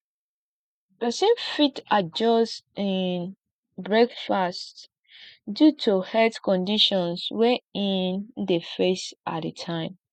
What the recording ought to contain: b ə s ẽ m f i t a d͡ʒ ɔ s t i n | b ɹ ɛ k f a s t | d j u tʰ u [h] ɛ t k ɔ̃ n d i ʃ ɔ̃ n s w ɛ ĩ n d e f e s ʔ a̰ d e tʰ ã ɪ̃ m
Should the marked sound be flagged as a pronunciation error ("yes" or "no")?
no